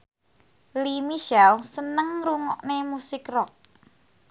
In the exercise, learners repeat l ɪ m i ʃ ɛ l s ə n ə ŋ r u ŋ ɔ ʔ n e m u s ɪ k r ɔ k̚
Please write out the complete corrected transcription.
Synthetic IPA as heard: l i m i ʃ ɛ l s ə n ə ŋ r u ŋ ɔ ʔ n e m u s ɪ k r ɔ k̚